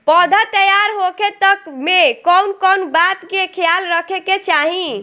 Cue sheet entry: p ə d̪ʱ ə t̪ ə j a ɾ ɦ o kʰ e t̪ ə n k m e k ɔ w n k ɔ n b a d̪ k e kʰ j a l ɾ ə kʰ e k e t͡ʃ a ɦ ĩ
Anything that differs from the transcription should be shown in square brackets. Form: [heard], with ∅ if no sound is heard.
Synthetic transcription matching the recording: p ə d̪ʱ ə t̪ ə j a ɾ ɦ o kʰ e t̪ ə [∅] k m e k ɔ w n k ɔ n b a [t̪] k e kʰ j a l ɾ ə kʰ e k e t͡ʃ a ɦ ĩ

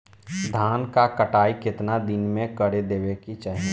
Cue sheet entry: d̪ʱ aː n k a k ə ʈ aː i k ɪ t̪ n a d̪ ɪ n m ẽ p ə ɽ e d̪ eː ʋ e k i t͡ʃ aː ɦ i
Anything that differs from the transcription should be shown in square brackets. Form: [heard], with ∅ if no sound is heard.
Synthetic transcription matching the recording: d̪ʱ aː n k a k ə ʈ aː i k ɪ t̪ n a d̪ ɪ n m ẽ [k] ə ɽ e d̪ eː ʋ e k i t͡ʃ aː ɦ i

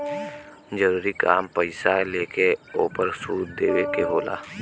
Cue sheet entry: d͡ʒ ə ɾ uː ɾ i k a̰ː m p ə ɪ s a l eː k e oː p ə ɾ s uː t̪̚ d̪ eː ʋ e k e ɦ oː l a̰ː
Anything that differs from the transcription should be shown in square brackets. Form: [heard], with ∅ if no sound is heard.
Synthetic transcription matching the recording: d͡ʒ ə ɾ uː ɾ i k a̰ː m p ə ɪ s a l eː k e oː p ə ɾ s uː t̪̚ d̪ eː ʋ e k e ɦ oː l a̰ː

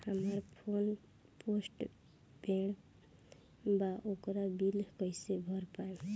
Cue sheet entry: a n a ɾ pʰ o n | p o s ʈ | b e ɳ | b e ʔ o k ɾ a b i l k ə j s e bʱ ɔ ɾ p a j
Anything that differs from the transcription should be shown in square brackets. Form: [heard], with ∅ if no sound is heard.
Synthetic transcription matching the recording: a [m] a ɾ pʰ o n | p o s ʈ | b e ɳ | b [a] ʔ o k ɾ a b i l k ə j s e bʱ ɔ ɾ p a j

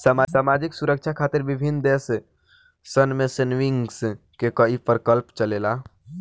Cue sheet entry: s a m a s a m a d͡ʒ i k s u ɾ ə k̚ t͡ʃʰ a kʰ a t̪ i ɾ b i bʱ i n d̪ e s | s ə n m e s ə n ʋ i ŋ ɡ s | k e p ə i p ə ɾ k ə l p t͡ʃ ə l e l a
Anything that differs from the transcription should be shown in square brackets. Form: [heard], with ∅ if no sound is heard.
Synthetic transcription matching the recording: s a m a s a m a d͡ʒ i k s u ɾ ə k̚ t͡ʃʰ a kʰ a t̪ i ɾ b i bʱ i n d̪ e s | s ə n m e s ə n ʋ i ŋ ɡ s | k e [k] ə i p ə ɾ k ə l p t͡ʃ ə l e l a

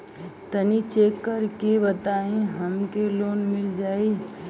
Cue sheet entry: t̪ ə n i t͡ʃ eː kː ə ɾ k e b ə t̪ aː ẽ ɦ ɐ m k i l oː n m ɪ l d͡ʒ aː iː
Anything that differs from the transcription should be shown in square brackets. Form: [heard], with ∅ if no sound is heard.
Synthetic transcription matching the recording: t̪ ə n i t͡ʃ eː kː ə ɾ k e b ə t̪ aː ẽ ɦ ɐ m k [e] l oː n m ɪ l d͡ʒ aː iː

